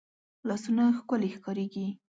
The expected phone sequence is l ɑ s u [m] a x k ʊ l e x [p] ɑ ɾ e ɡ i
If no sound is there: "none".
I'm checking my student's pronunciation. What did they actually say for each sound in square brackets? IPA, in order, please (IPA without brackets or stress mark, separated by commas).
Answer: n, k